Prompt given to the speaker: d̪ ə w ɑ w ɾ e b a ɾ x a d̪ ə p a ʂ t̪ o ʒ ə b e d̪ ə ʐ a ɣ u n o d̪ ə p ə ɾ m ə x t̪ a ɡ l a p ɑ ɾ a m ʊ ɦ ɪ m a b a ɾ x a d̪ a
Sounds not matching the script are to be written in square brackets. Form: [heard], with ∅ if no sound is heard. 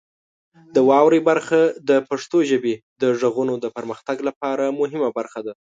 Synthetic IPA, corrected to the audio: d̪ ə w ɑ w ɾ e b a ɾ x a d̪ ə p a ʂ t̪ o ʒ ə b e d̪ ə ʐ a ɣ u n o d̪ ə p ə ɾ m ə x t̪ a ɡ l a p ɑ ɾ a m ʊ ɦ ɪ m a b a ɾ x a d̪ a